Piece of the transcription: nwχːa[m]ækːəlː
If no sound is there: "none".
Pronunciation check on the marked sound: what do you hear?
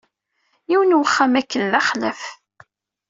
m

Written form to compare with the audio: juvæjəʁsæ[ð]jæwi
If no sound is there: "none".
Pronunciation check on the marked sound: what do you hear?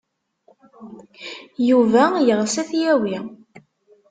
θ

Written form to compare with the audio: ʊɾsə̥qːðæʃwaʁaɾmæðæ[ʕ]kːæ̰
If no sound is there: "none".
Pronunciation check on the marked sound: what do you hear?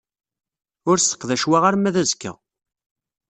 z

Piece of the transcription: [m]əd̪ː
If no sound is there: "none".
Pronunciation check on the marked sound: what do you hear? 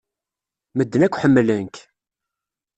m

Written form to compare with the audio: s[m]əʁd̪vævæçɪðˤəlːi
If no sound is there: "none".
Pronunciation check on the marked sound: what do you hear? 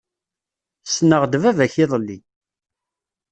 n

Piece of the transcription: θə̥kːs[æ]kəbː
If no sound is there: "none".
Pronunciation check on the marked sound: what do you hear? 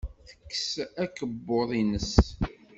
æ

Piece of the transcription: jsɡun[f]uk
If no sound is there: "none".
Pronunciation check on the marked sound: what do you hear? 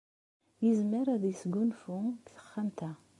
f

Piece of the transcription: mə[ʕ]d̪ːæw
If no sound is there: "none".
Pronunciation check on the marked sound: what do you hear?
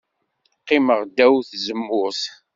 ʁ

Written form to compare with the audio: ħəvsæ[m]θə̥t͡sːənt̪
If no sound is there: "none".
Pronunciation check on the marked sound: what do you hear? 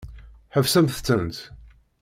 m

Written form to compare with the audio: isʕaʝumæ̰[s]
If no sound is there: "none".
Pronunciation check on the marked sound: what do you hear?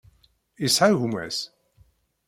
s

